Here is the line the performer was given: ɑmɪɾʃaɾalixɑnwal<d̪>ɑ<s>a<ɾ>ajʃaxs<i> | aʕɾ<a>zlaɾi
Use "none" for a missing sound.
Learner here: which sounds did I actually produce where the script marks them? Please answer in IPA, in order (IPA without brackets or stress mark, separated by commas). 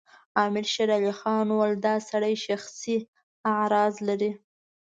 d̪, s, ɽ, i, ɑ